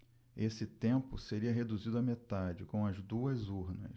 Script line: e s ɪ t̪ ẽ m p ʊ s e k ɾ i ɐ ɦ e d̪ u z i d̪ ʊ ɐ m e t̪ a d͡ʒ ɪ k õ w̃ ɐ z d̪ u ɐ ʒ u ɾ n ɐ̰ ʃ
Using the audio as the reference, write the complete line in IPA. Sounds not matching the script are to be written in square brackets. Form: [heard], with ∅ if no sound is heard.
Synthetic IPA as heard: e s ɪ t̪ ẽ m p ʊ s e [∅] ɾ i ɐ ɦ e d̪ u z i d̪ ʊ ɐ m e t̪ a d͡ʒ ɪ k õ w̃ ɐ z d̪ u ɐ [z] u ɾ n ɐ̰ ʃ